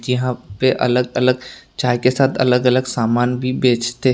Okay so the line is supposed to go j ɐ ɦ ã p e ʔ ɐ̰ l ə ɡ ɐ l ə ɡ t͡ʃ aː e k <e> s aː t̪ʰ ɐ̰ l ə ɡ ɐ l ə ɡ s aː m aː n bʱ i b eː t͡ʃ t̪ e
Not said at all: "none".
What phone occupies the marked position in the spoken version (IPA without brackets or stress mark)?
e